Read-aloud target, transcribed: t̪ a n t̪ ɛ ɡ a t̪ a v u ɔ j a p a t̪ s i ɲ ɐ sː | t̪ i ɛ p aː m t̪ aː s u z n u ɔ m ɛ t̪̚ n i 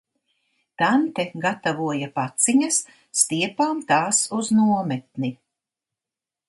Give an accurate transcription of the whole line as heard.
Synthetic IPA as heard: t̪ a n t̪ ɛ ɡ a t̪ a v u ɔ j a p a t̪ s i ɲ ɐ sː | t̪ i ɛ p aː m t̪ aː s u z n u ɔ m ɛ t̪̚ n i